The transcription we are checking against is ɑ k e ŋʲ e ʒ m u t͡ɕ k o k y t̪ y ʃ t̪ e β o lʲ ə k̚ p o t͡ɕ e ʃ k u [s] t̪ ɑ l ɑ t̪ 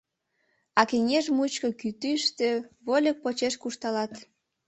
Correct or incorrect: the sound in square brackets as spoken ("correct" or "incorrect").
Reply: incorrect